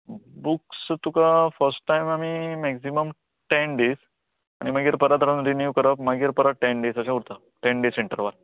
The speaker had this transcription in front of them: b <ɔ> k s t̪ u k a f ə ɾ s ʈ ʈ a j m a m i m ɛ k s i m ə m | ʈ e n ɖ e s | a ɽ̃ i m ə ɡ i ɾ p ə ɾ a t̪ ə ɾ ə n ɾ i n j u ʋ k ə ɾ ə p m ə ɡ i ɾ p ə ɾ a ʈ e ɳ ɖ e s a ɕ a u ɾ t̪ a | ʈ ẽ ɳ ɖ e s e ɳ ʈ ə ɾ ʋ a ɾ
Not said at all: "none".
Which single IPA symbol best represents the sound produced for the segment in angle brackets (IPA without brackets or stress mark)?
u